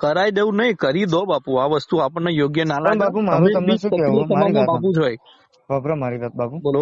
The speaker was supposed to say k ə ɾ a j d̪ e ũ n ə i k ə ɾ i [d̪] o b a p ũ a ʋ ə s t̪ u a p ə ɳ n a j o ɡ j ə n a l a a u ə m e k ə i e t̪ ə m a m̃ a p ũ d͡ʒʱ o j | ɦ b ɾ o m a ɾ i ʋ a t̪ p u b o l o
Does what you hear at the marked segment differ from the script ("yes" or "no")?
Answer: no